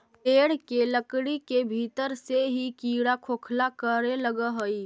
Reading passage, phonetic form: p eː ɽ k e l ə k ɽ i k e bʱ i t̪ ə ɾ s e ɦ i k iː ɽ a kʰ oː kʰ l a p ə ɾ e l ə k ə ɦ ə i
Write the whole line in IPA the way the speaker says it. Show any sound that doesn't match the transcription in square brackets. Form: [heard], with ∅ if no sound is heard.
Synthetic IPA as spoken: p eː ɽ k e l ə k ɽ i k e bʱ i t̪ ə ɾ s e ɦ i k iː ɽ a kʰ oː kʰ l a [k] ə ɾ e l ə [ɡ] ə ɦ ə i